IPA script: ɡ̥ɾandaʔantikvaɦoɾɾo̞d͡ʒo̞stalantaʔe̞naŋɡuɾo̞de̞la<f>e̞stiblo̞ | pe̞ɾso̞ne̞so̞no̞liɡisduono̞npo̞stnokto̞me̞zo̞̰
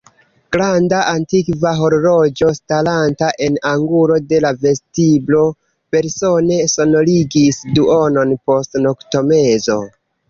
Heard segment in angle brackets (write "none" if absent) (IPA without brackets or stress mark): v